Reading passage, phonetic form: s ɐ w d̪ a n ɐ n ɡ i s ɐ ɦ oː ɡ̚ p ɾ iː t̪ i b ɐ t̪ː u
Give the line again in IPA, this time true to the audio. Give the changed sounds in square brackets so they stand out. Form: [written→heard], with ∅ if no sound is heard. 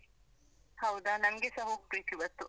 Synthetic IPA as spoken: [s→h] ɐ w d̪ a n ɐ [n→m] ɡ [i→e] s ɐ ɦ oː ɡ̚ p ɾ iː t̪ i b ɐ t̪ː u